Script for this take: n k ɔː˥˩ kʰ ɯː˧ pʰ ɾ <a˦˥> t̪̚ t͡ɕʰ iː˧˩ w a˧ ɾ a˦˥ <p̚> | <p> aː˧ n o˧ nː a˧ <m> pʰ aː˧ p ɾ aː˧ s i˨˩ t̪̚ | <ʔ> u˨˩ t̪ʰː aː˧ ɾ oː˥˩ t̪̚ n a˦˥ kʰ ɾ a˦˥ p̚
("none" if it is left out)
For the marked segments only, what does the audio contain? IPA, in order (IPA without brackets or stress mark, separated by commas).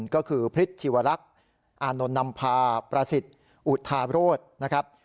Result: i˦˥, k̚, ʔ, m, ʔ